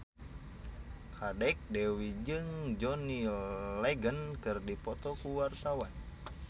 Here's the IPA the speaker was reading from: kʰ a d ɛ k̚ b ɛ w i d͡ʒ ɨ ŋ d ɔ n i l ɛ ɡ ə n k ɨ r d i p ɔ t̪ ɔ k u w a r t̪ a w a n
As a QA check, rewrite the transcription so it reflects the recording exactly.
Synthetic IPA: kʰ a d ɛ k̚ d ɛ w i d͡ʒ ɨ ŋ d͡ʒ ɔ n i l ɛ ɡ ə n k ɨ r d i p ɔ t̪ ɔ k u w a r t̪ a w a n